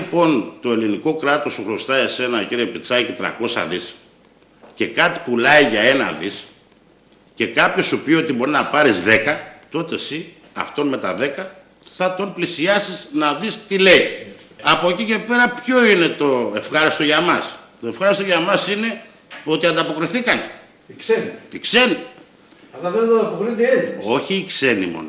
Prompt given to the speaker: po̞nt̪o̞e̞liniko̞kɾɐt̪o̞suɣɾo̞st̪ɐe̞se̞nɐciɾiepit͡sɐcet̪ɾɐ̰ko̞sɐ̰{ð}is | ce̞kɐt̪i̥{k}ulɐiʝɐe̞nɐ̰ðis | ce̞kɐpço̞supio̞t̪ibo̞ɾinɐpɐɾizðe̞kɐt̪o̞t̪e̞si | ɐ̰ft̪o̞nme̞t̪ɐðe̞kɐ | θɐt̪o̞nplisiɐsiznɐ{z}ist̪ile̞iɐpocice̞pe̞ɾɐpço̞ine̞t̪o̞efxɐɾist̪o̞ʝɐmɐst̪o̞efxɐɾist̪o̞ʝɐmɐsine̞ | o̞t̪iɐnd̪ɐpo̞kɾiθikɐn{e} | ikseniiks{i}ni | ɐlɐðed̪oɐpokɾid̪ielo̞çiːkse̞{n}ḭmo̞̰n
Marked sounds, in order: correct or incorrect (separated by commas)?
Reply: correct, incorrect, incorrect, correct, incorrect, correct